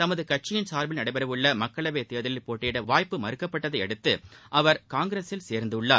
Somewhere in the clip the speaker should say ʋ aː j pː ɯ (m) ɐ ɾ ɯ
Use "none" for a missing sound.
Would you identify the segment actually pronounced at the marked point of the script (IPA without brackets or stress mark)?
m